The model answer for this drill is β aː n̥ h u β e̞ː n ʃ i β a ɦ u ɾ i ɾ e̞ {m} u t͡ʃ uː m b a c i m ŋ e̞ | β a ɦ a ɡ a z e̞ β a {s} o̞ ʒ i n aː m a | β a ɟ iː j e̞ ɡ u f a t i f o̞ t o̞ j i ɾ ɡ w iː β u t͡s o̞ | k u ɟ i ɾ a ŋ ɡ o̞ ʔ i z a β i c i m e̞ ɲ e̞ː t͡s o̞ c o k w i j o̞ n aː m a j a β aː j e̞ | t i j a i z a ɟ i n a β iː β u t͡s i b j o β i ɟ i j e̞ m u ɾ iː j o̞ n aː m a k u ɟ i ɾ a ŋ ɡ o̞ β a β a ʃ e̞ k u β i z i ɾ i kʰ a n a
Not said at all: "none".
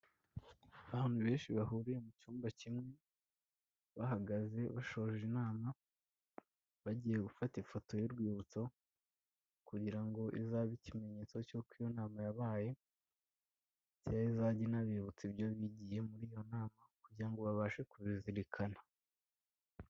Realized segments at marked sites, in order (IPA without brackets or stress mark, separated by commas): m, ʃ